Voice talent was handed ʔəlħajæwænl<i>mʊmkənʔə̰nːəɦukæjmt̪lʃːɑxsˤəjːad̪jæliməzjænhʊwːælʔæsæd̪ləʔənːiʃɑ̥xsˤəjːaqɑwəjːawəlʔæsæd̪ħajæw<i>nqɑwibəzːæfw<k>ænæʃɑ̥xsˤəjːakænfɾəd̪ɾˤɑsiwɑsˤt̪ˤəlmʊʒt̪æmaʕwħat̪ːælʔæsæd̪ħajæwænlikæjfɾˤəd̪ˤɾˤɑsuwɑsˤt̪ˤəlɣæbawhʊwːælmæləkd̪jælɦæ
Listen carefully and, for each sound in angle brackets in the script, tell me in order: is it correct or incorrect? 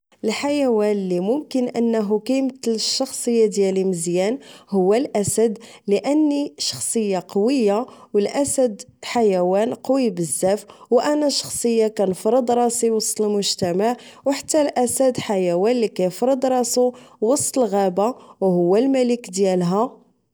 correct, incorrect, incorrect

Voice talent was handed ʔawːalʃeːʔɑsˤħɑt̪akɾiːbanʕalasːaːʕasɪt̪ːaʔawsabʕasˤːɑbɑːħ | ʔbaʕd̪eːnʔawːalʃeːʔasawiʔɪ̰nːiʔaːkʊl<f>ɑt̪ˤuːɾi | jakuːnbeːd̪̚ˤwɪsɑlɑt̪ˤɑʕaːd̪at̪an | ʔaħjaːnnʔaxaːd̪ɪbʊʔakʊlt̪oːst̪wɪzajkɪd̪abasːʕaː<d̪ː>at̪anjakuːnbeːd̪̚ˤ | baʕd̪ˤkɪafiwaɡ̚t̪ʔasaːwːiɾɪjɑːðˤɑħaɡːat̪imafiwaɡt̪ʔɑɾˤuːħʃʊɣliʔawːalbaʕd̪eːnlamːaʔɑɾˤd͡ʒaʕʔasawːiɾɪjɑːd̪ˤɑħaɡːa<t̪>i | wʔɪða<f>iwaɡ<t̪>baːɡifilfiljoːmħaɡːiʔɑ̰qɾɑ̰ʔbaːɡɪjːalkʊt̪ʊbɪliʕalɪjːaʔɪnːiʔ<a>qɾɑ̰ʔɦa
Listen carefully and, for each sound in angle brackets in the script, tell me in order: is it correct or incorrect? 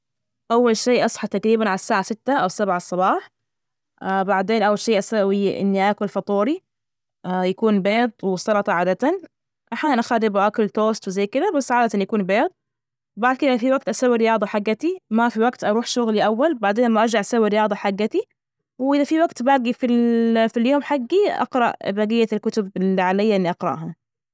correct, incorrect, correct, correct, correct, incorrect

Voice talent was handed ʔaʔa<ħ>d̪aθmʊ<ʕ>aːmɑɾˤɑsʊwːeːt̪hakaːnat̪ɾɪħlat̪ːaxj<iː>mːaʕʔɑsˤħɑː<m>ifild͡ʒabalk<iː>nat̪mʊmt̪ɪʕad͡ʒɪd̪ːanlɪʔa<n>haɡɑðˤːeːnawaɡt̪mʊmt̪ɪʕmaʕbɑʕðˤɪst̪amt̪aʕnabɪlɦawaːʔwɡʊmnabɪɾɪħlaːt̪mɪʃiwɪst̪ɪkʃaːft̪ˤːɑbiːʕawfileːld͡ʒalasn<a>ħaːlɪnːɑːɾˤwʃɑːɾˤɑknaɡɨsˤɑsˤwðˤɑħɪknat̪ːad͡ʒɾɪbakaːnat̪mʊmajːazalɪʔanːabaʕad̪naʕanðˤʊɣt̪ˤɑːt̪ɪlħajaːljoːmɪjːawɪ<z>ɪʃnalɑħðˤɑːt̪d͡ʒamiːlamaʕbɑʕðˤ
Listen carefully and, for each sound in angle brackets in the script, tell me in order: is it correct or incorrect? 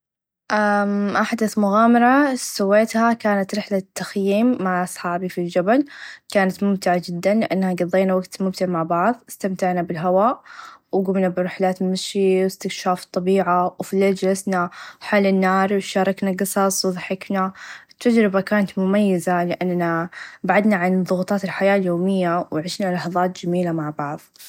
correct, incorrect, correct, incorrect, incorrect, incorrect, correct, incorrect

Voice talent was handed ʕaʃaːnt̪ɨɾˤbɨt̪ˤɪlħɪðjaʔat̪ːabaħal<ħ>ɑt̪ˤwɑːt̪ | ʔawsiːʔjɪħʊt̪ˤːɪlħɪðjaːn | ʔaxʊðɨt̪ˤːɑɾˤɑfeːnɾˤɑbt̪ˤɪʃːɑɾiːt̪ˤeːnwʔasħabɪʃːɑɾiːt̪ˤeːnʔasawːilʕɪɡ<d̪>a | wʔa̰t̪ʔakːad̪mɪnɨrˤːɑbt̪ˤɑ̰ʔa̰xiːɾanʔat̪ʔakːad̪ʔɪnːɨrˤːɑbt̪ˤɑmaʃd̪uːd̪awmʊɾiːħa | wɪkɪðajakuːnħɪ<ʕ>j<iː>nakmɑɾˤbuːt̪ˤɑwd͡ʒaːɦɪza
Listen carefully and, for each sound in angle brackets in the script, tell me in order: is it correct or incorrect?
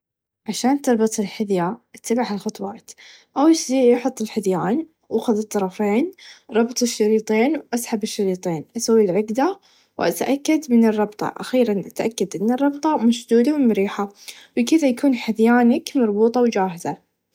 incorrect, correct, incorrect, incorrect

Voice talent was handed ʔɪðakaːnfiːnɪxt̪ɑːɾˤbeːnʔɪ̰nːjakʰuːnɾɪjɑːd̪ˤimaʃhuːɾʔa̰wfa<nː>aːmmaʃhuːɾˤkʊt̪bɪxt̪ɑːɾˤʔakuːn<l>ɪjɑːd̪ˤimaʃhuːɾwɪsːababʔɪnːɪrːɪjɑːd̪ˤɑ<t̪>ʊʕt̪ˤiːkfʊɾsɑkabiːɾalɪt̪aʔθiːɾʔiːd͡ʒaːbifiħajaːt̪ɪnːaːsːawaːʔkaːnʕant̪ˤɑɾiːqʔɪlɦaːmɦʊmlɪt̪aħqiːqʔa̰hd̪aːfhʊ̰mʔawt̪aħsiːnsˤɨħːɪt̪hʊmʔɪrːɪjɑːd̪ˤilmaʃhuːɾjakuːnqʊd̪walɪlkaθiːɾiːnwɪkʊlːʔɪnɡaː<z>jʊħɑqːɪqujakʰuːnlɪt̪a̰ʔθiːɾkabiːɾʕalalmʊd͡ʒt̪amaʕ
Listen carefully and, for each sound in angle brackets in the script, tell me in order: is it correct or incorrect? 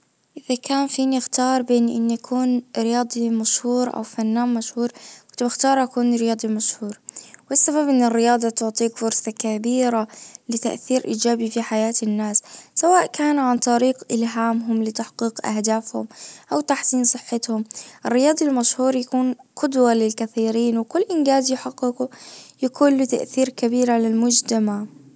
correct, incorrect, correct, correct

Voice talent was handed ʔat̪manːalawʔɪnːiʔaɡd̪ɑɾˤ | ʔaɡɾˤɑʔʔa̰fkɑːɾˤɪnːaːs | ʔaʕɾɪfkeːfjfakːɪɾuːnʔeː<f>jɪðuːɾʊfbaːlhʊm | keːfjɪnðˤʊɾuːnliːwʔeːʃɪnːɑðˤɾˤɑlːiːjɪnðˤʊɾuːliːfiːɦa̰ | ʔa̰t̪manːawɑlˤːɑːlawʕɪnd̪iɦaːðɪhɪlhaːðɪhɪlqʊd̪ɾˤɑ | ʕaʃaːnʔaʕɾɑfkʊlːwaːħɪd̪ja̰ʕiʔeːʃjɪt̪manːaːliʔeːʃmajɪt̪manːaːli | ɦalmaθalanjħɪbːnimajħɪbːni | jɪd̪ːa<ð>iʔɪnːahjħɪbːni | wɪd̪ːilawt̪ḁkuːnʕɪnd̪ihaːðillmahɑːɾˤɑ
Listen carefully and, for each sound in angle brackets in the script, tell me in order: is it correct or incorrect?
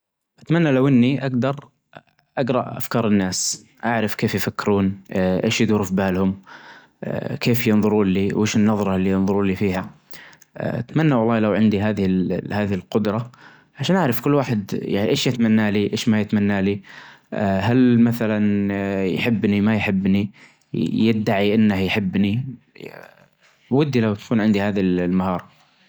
incorrect, incorrect

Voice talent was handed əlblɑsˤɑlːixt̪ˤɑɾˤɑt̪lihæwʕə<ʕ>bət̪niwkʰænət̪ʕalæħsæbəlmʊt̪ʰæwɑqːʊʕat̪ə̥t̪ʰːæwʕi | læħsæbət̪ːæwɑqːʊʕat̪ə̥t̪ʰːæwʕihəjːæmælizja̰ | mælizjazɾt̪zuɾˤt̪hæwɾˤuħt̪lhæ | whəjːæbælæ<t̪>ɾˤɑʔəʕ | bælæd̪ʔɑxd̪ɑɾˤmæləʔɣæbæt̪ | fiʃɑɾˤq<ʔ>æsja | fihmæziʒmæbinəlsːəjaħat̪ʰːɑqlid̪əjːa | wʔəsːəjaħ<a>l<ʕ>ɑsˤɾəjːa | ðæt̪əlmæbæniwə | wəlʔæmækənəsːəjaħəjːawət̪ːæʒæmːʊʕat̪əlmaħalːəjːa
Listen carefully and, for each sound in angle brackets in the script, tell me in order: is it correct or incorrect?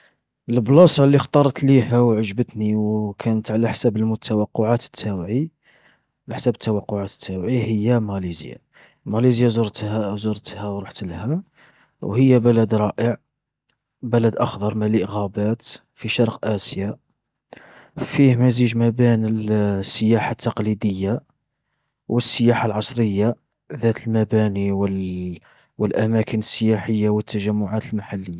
incorrect, incorrect, correct, correct, correct

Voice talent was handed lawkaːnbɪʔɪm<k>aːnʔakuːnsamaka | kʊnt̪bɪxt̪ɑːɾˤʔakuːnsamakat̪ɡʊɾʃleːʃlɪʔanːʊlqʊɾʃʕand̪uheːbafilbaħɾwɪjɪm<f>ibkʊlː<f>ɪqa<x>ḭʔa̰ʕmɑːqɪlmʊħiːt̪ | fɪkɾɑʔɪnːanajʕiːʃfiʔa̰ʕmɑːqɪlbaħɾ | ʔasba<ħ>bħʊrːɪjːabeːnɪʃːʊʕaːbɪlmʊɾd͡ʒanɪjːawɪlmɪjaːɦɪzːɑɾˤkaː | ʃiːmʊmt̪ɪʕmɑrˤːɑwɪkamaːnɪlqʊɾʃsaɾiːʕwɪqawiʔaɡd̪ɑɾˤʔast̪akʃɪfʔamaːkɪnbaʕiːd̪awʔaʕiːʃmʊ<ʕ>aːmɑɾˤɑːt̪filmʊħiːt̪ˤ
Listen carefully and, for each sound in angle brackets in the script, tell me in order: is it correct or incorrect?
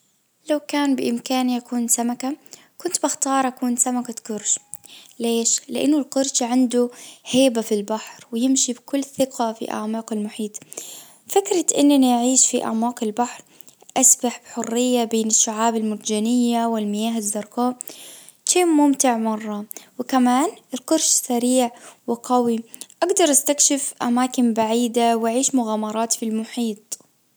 correct, incorrect, incorrect, incorrect, correct, incorrect

